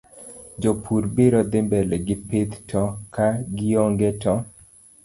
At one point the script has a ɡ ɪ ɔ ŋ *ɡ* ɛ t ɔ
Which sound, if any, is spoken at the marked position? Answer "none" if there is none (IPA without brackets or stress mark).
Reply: ɡ